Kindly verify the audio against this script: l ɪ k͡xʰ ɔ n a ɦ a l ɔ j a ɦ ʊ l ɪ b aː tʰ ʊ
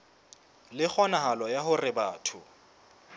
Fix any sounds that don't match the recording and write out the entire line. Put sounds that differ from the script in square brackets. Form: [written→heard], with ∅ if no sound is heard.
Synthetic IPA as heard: l ɪ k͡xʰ ɔ n a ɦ a l ɔ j a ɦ ʊ [l→r] ɪ b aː tʰ ʊ